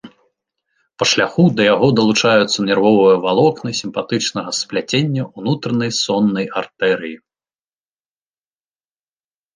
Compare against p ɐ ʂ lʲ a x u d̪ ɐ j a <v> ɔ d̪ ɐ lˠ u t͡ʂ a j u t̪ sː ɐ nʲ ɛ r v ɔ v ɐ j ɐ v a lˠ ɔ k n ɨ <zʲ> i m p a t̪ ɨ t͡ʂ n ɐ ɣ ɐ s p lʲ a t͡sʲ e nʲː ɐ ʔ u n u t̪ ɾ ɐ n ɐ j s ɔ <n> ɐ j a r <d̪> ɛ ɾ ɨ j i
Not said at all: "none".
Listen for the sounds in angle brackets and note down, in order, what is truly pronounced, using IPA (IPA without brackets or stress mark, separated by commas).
ɣ, sʲ, nː, t̪